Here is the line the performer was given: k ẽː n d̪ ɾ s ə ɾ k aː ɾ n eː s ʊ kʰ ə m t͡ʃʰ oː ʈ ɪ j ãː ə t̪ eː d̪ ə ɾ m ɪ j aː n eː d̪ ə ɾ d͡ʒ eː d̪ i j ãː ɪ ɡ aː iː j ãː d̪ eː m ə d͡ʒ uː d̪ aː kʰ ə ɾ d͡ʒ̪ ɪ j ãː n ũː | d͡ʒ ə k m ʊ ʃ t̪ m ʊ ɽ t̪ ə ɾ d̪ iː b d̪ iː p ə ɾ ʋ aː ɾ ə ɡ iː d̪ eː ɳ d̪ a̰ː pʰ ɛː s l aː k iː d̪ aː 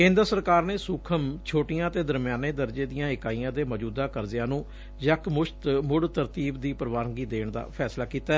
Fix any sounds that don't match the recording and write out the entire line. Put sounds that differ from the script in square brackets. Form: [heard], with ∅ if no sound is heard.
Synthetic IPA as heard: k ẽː n d̪ ɾ s ə ɾ k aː ɾ n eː s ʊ kʰ ə m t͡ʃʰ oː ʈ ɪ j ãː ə t̪ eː d̪ ə ɾ m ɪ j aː n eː d̪ ə ɾ d͡ʒ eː d̪ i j ãː ɪ [k] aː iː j ãː d̪ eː m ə d͡ʒ uː d̪ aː [k] ə ɾ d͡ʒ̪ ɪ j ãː n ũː | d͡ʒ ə k m ʊ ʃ t̪ m ʊ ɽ t̪ ə ɾ [t̪] iː b d̪ iː p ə ɾ ʋ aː ɾ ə ɡ iː d̪ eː ɳ d̪ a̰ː pʰ ɛː s l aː k iː [t̪] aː